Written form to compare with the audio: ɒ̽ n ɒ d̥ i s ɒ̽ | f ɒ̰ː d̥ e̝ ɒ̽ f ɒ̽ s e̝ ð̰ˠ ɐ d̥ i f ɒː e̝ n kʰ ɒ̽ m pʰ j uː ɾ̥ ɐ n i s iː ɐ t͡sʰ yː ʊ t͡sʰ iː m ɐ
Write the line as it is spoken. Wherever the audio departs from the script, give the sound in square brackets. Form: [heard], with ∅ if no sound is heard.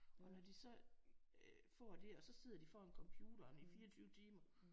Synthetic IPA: ɒ̽ n ɒ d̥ i s ɒ̽ | f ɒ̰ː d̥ e̝ ɒ̽ [s] ɒ̽ s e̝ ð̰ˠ ɐ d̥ i f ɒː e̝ n kʰ ɒ̽ m pʰ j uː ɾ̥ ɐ n i [f] iː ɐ t͡sʰ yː ʊ t͡sʰ iː m ɐ